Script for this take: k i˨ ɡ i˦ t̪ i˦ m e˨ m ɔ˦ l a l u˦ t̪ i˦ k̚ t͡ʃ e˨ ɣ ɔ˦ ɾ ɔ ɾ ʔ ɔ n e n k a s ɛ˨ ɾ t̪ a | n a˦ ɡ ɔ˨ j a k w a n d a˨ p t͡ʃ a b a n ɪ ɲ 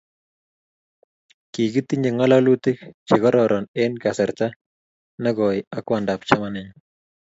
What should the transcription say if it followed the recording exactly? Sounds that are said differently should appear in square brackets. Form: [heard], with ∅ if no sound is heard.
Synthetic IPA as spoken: k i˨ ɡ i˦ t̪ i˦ [ɲ] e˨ [ŋ] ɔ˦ l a l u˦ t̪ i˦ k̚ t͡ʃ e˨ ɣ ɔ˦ ɾ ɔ ɾ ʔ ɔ n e n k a s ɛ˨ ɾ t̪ a | n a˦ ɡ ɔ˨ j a k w a n d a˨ p t͡ʃ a [m] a n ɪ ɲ